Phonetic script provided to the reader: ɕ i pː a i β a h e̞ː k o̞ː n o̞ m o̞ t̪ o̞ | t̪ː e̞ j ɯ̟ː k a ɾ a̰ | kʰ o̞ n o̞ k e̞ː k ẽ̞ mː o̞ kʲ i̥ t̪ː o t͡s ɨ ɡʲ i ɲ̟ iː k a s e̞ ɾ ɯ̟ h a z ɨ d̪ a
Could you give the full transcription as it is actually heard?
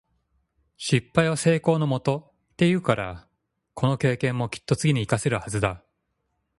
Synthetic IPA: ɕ i pː a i β a s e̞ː k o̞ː n o̞ m o̞ t̪ o̞ | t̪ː e̞ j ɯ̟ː k a ɾ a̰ | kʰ o̞ n o̞ k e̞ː k ẽ̞ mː o̞ kʲ i̥ t̪ː o t͡s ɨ ɡʲ i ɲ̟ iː k a s e̞ ɾ ɯ̟ h a z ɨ d̪ a